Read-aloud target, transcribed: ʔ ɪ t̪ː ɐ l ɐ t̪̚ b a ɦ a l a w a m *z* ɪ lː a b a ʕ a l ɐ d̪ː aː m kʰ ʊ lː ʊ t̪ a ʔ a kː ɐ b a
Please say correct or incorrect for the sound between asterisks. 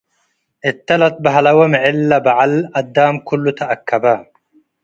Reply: incorrect